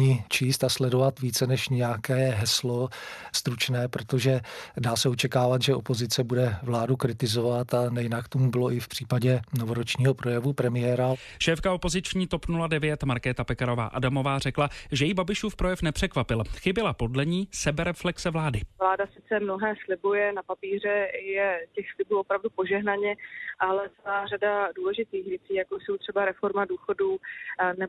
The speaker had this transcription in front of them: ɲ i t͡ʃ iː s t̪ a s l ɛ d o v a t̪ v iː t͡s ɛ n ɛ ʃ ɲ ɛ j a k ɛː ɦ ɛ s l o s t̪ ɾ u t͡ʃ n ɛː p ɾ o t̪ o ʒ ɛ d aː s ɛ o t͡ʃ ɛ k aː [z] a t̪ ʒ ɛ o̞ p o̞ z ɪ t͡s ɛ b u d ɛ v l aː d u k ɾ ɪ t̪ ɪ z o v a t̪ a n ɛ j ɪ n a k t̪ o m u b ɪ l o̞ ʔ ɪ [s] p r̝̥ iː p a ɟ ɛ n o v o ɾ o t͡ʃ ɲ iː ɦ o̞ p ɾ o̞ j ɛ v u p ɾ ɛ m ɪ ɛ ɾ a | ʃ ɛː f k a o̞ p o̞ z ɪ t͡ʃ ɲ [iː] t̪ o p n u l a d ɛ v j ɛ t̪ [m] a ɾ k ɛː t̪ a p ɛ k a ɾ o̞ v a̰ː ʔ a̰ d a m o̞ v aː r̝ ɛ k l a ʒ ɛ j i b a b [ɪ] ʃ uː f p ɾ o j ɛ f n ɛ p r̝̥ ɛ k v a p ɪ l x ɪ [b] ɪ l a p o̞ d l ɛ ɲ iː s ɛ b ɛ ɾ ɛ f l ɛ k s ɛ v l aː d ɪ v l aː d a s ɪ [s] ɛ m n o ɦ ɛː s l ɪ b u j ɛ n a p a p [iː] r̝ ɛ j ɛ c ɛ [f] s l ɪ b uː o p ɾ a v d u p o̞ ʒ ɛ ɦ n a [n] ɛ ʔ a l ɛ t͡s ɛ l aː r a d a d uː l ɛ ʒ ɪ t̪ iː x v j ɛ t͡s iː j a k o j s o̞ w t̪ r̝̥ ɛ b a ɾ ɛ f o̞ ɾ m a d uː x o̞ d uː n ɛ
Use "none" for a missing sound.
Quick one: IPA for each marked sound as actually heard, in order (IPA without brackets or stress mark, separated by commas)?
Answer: v, f, iː, m, ɪ, b, t͡s, iː, x, ɲ